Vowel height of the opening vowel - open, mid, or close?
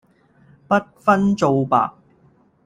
open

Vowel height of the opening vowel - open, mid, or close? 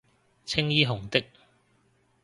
close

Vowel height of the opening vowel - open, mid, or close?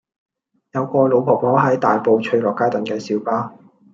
open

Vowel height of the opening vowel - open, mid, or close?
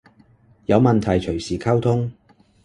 open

